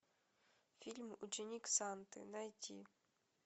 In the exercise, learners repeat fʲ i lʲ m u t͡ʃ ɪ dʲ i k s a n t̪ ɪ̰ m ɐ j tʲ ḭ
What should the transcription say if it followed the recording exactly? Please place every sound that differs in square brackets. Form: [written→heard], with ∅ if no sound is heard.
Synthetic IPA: fʲ i lʲ m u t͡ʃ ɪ [dʲ→nʲ] i k s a n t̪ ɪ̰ [m→n] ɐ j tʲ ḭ